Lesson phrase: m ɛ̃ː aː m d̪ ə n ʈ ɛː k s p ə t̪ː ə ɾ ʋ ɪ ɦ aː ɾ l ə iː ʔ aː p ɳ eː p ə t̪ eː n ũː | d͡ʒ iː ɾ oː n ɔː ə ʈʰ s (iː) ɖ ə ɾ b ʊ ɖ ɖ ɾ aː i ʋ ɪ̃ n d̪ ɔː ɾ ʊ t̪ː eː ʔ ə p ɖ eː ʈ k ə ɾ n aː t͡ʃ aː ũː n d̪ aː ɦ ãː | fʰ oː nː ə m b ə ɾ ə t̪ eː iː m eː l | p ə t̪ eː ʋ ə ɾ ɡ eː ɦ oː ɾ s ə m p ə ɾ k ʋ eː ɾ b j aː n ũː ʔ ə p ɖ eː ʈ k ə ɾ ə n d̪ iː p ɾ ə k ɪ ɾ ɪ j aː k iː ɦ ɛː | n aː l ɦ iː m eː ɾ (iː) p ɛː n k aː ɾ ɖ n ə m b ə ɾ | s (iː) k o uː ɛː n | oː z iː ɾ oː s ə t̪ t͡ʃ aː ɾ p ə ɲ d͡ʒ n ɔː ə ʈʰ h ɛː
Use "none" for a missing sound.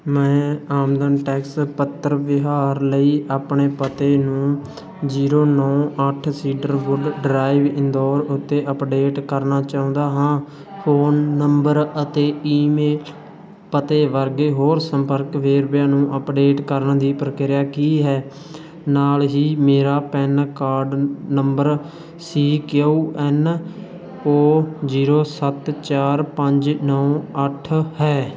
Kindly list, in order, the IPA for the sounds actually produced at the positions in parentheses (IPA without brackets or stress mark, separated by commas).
iː, aː, iː